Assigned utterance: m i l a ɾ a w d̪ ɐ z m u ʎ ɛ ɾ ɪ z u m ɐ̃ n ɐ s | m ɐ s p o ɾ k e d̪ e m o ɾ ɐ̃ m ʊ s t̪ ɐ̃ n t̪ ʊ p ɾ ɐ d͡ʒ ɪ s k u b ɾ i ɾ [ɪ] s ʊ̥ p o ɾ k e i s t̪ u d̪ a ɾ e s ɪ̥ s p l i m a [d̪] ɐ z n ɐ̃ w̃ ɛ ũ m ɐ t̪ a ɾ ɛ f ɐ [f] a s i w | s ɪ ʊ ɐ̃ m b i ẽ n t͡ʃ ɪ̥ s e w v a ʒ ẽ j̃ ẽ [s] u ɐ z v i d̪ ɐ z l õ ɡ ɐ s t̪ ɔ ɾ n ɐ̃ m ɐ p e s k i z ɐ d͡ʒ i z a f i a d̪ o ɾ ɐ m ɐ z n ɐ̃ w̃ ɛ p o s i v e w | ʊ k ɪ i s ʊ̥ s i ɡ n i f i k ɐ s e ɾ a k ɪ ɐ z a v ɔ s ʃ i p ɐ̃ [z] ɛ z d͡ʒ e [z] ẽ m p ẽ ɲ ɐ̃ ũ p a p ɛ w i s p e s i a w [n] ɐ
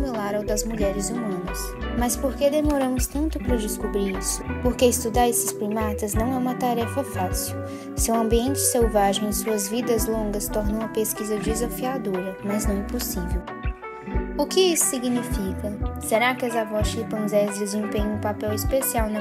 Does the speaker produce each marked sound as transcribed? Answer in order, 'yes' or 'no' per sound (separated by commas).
no, no, yes, yes, yes, yes, yes